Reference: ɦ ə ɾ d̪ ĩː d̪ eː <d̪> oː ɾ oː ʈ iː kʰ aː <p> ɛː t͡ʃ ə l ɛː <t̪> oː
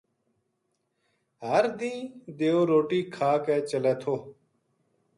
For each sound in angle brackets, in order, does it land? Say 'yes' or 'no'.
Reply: no, no, no

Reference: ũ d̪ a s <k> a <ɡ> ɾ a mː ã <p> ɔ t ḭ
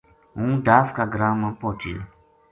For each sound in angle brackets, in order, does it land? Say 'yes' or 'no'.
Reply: yes, yes, yes

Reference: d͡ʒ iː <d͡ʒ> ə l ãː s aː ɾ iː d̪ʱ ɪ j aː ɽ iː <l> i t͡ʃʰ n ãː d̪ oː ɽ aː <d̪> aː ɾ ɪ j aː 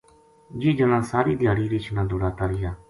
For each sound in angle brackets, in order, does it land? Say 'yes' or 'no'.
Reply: yes, no, no

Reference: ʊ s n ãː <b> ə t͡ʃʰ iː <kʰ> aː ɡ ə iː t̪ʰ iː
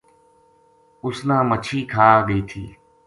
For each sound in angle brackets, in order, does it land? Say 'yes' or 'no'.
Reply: no, yes

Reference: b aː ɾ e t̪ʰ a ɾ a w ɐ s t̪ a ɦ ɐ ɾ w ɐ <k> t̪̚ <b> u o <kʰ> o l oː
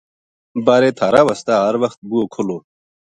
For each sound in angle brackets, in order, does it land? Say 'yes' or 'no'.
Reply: no, yes, yes

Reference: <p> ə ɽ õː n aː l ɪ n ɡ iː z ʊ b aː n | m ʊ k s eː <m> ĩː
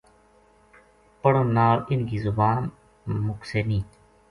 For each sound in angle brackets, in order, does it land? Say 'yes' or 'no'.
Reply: yes, no

